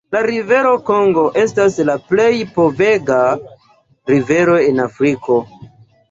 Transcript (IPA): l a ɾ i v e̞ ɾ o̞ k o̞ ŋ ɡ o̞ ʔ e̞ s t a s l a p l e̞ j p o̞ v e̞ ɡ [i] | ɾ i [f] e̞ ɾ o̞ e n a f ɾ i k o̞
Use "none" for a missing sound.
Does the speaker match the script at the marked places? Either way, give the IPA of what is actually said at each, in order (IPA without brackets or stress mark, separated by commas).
a, v